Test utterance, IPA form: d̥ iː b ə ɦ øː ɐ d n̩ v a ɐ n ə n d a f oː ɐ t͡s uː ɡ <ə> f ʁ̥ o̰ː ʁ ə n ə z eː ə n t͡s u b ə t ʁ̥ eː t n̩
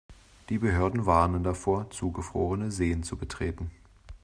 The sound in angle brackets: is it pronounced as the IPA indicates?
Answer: yes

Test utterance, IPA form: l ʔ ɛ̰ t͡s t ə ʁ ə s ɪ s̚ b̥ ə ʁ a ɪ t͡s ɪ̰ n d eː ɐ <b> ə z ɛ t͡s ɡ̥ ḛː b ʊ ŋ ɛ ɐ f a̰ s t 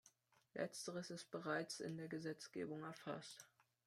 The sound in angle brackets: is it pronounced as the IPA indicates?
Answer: no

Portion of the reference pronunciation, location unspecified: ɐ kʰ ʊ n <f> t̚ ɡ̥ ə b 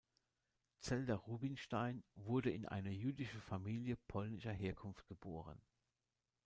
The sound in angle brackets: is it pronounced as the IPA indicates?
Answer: yes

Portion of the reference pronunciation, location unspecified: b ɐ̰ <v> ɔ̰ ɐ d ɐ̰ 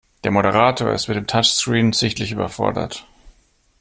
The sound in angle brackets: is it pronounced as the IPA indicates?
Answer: no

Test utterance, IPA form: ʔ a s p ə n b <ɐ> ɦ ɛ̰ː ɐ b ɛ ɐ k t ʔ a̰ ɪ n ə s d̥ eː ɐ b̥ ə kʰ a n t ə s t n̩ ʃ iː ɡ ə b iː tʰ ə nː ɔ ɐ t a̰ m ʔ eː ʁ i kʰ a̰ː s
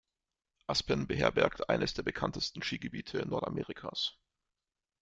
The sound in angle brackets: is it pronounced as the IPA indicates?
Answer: no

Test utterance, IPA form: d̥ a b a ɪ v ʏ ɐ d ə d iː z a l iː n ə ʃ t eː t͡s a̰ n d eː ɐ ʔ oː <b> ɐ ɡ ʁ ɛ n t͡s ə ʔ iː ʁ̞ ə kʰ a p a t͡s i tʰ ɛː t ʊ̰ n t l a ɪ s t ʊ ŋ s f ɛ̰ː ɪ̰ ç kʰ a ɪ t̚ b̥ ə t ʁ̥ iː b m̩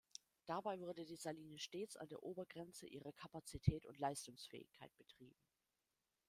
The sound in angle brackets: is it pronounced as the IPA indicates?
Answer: yes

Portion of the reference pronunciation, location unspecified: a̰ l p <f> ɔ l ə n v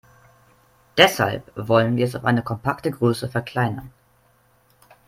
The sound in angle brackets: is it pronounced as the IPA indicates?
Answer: no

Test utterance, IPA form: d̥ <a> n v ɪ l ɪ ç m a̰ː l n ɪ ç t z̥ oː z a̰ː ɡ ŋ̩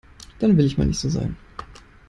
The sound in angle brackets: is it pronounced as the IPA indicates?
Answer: yes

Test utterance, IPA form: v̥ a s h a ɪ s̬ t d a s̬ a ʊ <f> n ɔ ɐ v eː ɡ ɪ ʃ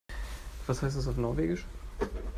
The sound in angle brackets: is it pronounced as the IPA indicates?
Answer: yes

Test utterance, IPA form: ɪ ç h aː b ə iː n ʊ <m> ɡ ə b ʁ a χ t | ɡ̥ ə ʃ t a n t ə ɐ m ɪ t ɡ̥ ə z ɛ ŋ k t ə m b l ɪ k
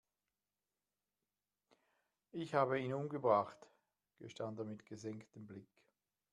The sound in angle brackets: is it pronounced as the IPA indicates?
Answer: yes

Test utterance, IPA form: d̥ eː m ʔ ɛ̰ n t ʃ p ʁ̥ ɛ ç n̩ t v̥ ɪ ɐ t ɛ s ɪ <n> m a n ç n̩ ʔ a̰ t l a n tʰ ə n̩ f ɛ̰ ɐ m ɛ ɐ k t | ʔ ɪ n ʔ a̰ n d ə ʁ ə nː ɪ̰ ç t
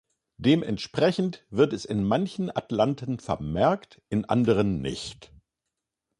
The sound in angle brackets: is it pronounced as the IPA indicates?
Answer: yes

